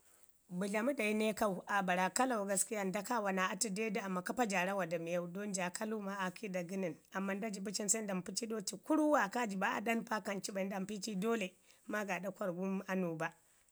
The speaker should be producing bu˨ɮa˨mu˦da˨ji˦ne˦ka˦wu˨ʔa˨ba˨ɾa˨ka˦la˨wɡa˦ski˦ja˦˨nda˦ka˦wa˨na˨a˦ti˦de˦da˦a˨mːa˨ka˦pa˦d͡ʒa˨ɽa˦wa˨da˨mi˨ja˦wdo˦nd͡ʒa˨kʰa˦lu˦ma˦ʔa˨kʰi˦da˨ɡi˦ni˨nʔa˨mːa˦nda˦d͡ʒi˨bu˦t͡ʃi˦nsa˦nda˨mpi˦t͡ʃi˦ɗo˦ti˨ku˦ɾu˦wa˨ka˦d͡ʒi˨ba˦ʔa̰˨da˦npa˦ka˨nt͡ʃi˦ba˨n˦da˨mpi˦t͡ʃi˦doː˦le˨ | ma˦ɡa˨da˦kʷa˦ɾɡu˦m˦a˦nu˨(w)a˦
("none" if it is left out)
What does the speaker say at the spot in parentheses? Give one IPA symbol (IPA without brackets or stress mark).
b